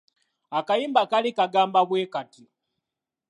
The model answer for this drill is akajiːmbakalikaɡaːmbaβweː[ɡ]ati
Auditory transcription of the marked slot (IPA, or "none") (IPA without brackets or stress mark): k